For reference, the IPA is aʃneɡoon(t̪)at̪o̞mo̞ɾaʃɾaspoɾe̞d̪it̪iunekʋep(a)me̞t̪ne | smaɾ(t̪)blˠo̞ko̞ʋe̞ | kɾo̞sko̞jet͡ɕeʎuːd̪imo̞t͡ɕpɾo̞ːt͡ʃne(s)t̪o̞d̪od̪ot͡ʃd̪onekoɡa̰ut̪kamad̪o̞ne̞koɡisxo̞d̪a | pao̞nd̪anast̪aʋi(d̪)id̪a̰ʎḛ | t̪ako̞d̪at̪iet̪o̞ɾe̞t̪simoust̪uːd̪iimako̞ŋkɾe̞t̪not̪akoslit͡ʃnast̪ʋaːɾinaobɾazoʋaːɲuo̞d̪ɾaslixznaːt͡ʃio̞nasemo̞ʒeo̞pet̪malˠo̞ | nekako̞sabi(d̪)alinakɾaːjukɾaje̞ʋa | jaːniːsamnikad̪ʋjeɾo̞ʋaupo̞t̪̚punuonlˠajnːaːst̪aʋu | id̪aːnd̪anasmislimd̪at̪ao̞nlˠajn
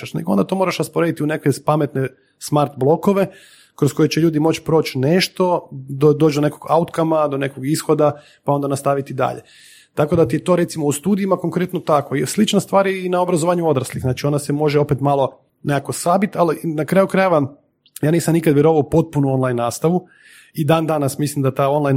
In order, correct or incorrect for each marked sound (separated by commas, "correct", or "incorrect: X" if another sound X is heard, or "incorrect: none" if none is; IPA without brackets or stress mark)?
incorrect: d̪, correct, correct, incorrect: ʃ, incorrect: t̪, incorrect: t̪